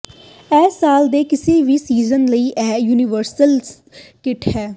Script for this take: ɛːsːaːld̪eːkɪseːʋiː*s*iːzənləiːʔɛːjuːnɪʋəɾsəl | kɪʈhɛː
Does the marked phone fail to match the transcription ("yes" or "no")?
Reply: no